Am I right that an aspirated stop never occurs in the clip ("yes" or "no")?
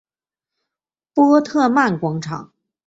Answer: no